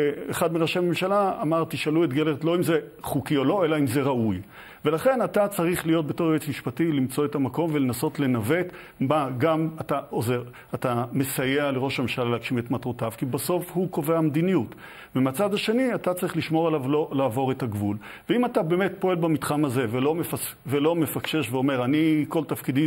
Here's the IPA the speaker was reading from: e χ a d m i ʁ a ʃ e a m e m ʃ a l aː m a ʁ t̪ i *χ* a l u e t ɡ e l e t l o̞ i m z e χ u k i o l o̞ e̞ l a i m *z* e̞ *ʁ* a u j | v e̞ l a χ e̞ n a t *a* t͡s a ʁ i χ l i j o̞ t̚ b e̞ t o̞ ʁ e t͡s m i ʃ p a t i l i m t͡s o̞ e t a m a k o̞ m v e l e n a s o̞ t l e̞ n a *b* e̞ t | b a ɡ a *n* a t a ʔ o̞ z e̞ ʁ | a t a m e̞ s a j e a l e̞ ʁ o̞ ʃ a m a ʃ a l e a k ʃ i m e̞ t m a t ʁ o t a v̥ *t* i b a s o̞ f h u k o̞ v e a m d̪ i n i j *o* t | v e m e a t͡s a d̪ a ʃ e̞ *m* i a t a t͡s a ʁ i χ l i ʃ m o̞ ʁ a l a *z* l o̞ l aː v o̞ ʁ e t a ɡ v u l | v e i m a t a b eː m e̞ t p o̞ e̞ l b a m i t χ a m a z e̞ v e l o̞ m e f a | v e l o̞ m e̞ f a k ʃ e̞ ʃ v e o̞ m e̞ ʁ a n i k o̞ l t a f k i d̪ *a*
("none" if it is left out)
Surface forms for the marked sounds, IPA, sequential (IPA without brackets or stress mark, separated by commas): ʃ, z, ʁ, a, v, m, k, u, n, v, i